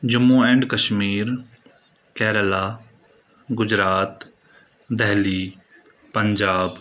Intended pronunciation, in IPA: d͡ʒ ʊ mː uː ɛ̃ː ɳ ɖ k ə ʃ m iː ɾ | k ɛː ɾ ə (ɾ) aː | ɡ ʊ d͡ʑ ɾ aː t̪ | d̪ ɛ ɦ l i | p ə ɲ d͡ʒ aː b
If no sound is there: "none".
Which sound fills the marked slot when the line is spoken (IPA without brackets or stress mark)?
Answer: l